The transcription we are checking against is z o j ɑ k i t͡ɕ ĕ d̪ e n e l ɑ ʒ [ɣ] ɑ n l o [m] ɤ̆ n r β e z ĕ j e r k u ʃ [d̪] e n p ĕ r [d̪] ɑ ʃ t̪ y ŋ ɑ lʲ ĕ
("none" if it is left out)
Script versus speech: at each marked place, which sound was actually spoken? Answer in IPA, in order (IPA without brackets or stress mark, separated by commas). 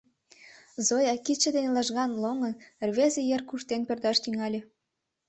ɣ, ŋ, t̪, d̪